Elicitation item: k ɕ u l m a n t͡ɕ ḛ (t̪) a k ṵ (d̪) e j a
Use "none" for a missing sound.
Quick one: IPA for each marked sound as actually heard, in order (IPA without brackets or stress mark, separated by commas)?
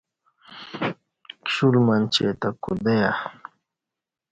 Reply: t̪, d̪